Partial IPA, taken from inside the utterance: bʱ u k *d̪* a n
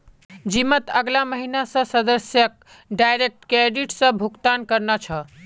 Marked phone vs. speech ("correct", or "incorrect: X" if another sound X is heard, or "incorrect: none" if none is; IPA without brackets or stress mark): incorrect: t̪